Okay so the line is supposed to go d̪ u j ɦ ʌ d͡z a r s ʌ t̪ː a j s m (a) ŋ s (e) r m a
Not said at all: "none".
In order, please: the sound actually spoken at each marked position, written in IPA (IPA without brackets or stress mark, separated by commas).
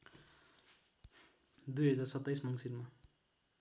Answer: ʌ, i